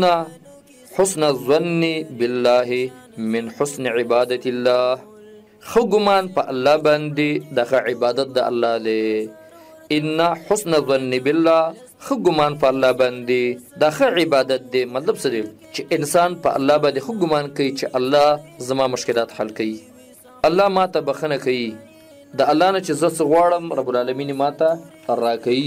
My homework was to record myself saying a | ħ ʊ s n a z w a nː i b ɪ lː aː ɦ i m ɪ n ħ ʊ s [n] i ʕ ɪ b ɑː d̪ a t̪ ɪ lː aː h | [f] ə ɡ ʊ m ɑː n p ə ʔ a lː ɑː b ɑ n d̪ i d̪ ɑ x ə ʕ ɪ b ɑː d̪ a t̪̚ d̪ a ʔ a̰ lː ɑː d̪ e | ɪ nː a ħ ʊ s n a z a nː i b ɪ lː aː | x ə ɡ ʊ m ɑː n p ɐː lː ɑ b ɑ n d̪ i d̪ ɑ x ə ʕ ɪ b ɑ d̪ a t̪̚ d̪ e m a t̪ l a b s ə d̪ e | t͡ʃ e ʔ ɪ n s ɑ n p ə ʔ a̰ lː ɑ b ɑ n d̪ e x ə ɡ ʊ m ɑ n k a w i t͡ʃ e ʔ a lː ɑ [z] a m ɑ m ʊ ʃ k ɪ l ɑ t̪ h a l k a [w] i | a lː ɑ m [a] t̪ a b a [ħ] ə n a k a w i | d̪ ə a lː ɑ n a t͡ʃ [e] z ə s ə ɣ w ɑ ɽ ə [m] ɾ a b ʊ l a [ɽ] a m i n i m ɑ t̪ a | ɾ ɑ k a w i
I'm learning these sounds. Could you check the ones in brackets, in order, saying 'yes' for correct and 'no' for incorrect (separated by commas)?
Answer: yes, no, yes, yes, no, no, yes, yes, no